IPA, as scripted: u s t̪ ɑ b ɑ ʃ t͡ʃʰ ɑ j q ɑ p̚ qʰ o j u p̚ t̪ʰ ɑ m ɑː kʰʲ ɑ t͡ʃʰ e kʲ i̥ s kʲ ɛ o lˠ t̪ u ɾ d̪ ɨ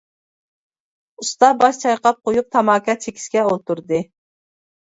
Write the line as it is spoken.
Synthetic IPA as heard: u s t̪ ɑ b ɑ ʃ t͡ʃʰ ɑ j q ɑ p̚ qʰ o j u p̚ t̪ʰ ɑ m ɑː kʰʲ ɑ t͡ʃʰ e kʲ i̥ s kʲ ɛ o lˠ t̪ u ɾ d̪ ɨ